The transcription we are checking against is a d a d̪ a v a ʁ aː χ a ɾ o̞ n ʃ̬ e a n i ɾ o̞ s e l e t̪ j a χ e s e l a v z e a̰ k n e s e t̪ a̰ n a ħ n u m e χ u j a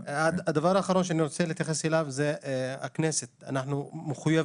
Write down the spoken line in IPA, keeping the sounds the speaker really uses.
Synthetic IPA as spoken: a d a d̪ a v a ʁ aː χ a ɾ o̞ n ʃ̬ e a n i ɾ o̞ t͡s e l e t̪ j a χ e s e l a v z e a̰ k n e s e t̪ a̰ n a ħ n u m e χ u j a